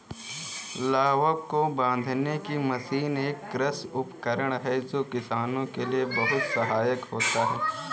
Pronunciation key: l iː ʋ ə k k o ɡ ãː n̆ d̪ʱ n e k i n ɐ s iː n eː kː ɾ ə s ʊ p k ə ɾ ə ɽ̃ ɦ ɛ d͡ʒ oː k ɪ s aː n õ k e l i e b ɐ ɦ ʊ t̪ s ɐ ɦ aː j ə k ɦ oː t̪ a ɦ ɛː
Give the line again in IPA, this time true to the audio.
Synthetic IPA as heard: l aː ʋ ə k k o b ãː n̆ d̪ʱ n e k i m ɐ s iː n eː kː ɾ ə s ʊ p k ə ɾ ə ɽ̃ ɦ ɛ d͡ʒ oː k ɪ s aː n õ k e l i e b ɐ ɦ ʊ t̪ s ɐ ɦ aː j ə k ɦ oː t̪ a ɦ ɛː